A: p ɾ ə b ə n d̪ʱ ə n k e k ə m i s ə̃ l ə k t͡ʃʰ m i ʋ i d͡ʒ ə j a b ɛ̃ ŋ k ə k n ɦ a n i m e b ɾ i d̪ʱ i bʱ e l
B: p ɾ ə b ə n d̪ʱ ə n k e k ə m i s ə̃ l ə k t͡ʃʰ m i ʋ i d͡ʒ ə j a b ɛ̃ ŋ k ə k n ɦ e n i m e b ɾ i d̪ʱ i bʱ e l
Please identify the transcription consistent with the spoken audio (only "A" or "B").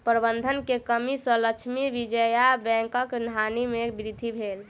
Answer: A